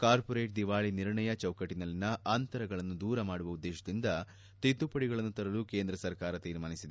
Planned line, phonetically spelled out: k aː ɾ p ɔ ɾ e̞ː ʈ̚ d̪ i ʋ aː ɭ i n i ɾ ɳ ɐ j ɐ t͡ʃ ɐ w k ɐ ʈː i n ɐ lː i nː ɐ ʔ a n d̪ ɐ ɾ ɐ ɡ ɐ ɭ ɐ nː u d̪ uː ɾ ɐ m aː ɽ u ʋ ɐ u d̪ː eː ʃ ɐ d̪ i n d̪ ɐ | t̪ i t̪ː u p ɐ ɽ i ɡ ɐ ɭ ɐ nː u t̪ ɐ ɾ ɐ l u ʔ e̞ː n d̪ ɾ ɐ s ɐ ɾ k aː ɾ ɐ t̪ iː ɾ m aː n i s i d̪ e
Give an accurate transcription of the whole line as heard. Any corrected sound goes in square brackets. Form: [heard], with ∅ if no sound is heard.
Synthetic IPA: k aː ɾ p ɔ ɾ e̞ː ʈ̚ d̪ i ʋ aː ɭ i n i ɾ ɳ ɐ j ɐ t͡ʃ ɐ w k ɐ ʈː i n ɐ lː i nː ɐ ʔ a n [t̪] ɐ ɾ ɐ ɡ ɐ ɭ ɐ nː u d̪ uː ɾ ɐ m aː ɽ u ʋ ɐ u d̪ː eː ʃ ɐ d̪ i n d̪ ɐ | t̪ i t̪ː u p ɐ ɽ i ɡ ɐ ɭ ɐ nː u t̪ ɐ ɾ ɐ l u [k] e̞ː n d̪ ɾ ɐ s ɐ ɾ k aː ɾ ɐ t̪ iː ɾ m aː n i s i d̪ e